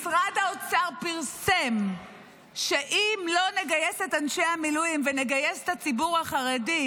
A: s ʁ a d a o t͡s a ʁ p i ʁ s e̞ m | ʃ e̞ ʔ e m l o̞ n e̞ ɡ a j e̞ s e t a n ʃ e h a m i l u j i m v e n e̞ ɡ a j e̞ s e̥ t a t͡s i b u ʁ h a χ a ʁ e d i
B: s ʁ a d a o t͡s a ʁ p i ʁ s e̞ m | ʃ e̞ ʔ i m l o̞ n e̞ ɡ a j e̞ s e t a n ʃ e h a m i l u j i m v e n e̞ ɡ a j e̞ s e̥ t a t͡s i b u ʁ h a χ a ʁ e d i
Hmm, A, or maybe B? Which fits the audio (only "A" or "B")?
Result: B